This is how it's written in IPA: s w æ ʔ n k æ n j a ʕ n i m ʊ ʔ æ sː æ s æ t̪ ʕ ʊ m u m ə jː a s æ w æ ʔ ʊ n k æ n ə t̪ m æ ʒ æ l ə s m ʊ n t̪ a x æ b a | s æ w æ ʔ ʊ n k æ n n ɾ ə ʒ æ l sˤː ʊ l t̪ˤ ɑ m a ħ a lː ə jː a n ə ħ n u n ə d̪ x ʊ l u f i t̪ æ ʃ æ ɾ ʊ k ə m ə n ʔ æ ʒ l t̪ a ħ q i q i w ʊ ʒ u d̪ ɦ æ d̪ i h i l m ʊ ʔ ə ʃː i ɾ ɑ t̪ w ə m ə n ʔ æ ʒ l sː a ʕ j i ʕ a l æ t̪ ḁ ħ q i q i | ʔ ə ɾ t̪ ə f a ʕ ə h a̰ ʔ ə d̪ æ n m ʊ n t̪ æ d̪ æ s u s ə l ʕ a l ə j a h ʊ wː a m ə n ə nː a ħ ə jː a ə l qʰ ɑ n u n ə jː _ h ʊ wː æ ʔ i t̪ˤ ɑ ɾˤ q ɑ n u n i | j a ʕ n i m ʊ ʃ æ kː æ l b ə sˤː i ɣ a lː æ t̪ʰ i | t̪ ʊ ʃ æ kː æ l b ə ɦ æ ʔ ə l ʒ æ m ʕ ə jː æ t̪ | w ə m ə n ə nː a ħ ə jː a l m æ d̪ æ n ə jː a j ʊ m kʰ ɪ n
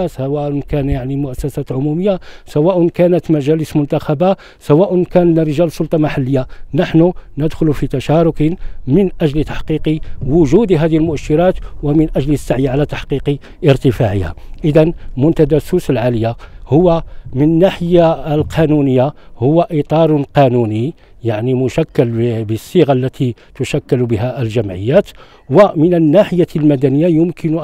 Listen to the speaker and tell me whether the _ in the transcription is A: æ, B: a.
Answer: B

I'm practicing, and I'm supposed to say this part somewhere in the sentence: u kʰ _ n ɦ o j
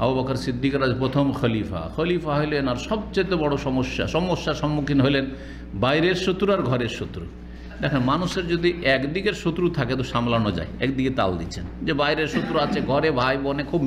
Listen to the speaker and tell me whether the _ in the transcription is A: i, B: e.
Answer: A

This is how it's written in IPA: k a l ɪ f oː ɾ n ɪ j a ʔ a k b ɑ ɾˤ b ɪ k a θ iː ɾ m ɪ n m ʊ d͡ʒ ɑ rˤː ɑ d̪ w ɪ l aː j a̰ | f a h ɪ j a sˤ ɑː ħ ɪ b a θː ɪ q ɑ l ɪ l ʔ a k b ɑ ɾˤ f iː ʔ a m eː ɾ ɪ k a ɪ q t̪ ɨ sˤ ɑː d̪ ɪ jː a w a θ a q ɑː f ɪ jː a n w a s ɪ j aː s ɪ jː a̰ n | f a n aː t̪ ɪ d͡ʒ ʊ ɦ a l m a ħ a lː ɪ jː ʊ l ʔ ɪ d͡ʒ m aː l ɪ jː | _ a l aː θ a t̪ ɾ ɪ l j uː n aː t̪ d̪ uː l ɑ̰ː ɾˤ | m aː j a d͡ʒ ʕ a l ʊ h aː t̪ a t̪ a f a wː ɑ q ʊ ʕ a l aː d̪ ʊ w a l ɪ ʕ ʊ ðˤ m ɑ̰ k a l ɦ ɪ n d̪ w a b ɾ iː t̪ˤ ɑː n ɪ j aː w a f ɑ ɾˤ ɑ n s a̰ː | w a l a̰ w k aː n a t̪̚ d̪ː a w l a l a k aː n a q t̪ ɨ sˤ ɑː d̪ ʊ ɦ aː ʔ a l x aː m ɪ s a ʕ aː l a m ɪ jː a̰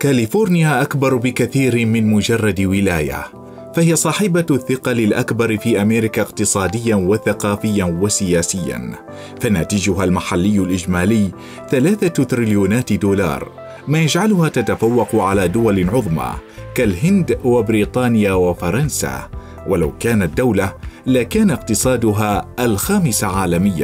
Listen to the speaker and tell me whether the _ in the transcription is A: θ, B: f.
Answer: A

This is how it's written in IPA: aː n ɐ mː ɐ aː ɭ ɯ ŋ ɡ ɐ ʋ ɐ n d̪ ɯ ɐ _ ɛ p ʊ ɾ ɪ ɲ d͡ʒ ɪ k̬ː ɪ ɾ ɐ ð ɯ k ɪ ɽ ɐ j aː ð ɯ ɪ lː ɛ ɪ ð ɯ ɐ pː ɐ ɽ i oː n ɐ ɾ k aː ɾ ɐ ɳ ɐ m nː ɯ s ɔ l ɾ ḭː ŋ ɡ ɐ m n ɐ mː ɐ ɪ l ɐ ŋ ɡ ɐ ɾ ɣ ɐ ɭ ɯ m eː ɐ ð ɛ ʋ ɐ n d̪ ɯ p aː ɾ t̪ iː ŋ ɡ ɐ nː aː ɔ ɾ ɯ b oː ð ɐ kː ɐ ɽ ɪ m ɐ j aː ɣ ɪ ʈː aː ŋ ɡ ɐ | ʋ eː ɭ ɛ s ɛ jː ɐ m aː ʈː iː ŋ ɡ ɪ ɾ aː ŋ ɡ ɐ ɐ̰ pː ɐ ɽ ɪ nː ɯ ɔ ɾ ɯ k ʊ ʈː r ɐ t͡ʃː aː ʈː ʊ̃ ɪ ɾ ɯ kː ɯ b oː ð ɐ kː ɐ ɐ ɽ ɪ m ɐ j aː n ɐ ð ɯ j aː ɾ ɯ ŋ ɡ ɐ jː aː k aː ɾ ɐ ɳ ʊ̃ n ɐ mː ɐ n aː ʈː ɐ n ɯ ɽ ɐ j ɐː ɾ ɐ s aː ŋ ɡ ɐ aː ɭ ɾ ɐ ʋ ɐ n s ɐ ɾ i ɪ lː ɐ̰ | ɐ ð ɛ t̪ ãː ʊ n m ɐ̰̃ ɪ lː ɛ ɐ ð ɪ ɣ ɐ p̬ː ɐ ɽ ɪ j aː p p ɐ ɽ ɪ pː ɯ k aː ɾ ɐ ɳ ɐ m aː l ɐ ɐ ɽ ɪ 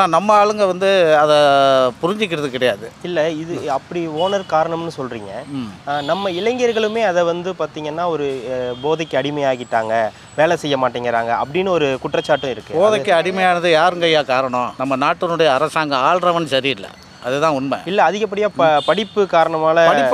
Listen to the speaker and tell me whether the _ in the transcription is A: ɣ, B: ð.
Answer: B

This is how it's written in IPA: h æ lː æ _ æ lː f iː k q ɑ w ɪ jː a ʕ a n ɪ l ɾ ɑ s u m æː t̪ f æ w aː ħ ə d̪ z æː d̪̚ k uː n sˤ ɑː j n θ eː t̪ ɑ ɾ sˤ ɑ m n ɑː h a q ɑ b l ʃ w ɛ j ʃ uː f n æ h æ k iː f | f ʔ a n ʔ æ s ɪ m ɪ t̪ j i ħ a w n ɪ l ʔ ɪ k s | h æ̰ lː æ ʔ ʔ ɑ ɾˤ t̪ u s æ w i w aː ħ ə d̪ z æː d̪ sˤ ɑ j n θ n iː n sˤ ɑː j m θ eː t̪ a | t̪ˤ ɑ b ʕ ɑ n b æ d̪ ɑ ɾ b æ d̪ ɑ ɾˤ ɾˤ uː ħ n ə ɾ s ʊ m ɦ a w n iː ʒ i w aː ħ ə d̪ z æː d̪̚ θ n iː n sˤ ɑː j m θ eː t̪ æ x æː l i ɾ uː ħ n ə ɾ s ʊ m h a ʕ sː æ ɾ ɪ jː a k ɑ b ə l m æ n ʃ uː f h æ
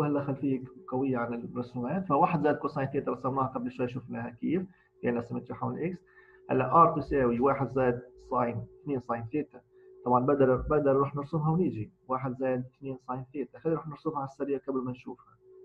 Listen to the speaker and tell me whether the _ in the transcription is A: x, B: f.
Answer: A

